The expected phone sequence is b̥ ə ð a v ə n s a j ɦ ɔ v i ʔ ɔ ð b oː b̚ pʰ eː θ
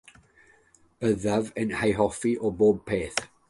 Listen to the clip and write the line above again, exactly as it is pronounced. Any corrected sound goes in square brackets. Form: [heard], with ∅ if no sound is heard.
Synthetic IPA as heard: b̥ ə ð a v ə n [h] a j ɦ ɔ [f] i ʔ ɔ [∅] b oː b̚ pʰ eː θ

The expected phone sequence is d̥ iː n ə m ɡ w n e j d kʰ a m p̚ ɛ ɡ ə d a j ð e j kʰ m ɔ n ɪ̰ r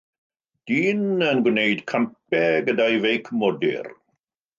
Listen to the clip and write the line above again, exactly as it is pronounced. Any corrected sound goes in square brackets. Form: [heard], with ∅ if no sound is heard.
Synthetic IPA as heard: d̥ iː n ə [n] ɡ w n e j d kʰ a m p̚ ɛ ɡ ə d a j [v] e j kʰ m ɔ [d] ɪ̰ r

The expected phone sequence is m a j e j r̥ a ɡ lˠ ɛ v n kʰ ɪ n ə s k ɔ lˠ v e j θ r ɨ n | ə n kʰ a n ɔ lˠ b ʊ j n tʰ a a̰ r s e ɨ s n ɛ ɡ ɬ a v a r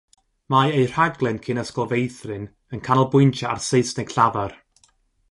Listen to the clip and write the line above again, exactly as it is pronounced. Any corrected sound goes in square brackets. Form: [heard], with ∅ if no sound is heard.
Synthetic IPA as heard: m a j e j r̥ a ɡ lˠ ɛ [∅] n kʰ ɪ n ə s k ɔ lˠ v e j θ r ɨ n | ə n kʰ a n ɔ lˠ b ʊ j n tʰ a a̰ r s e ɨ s n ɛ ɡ ɬ a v a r

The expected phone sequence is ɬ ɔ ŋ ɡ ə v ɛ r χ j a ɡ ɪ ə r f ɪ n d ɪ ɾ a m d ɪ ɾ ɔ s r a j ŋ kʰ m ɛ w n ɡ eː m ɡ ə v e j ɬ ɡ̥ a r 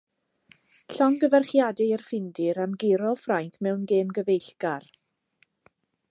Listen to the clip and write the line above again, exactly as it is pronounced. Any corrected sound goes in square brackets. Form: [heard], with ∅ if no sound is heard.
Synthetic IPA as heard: ɬ ɔ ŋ ɡ ə v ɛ r χ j a [d] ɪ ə r f ɪ n d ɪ ɾ a m [ɡ] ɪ ɾ ɔ [f] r a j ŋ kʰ m ɛ w n ɡ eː m ɡ ə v e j ɬ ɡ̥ a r

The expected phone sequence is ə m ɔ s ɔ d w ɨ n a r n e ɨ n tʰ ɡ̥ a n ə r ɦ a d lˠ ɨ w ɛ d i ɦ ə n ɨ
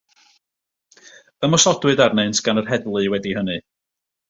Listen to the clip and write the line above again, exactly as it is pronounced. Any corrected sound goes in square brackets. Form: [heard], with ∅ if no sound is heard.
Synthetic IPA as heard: ə m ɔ s ɔ d w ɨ [d] a r n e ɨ n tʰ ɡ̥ a n ə r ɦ [ɛ] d lˠ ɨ w ɛ d i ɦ ə n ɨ

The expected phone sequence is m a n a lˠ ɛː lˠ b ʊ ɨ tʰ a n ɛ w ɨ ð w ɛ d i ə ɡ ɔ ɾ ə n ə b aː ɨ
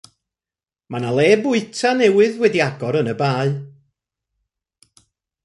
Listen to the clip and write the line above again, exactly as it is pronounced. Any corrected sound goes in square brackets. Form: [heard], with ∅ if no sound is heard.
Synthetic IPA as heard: m a n a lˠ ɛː [∅] b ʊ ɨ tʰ a n ɛ w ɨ ð w ɛ d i [a] ɡ ɔ ɾ ə n ə b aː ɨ

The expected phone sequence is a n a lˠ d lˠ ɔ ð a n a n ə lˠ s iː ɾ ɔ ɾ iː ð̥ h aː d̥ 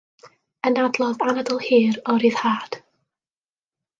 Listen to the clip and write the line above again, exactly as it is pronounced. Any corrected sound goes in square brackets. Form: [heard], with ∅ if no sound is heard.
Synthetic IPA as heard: [ə] n a [∅] d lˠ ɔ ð a n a [d] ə lˠ [h] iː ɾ ɔ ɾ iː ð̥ h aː d̥

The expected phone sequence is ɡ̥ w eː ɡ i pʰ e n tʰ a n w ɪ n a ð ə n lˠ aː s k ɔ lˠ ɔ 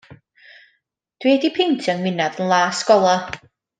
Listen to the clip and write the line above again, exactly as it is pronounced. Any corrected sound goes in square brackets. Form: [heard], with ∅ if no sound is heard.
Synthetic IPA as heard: [d̥] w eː [d] i pʰ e n tʰ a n w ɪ n a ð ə n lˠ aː s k ɔ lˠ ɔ

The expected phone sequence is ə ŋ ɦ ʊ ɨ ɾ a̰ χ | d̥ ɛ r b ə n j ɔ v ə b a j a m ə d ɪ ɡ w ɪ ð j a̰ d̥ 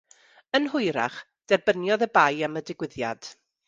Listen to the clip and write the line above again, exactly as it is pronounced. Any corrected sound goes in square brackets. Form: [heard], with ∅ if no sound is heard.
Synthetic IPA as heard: ə [n] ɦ ʊ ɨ ɾ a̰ χ | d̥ ɛ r b ə n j ɔ [ð] ə b a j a m ə d ɪ ɡ w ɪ ð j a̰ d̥

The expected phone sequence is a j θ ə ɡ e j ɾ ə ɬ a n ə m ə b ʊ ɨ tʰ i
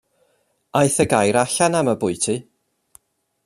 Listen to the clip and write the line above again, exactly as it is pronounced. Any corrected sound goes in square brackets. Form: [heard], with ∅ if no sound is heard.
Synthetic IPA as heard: a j θ ə ɡ [a] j ɾ [a] ɬ a n [a] m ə b ʊ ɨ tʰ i

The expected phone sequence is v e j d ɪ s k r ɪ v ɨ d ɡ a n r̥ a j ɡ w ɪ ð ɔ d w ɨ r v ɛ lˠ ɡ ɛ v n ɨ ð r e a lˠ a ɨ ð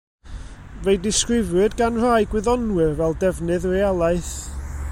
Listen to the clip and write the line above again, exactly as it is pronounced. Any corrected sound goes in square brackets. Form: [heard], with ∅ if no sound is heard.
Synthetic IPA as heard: v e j d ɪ s k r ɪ v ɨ d ɡ a n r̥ a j ɡ w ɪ ð ɔ [n] w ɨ r v ɛ lˠ [d] ɛ v n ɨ ð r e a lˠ a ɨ [θ]

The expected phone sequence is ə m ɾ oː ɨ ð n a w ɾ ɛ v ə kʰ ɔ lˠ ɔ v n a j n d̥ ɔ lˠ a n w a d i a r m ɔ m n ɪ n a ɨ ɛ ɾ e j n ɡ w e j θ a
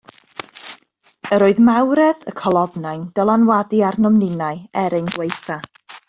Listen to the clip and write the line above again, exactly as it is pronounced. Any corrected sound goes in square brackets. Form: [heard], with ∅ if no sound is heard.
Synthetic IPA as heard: ə [∅] ɾ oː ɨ ð [m] a w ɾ ɛ [ð] ə kʰ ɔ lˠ ɔ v n a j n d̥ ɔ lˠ a n w a d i a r [n] ɔ m n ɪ n a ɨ ɛ ɾ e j n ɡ w e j θ a

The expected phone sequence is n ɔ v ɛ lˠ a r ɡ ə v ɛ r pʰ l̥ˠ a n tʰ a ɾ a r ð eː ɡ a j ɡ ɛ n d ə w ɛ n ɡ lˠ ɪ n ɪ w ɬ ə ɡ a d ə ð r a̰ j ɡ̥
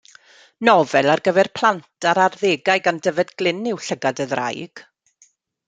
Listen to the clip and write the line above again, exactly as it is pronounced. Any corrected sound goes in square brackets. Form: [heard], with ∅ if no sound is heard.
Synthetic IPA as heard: n ɔ v ɛ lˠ a r ɡ ə v ɛ r pʰ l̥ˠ a n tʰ a ɾ a r ð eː ɡ a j ɡ [a] n d ə [v] ɛ [d] ɡ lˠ ɪ n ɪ w ɬ ə ɡ a d ə ð r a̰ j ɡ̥

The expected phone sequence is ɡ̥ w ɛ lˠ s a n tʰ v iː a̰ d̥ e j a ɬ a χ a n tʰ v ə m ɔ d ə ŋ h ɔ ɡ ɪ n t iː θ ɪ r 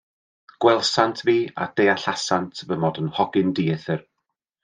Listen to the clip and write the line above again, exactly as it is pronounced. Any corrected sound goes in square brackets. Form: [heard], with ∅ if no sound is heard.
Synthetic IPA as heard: ɡ̥ w ɛ lˠ s a n tʰ v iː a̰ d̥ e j a ɬ a [s] a n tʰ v ə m ɔ d ə [n] h ɔ ɡ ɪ n [d] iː θ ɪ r

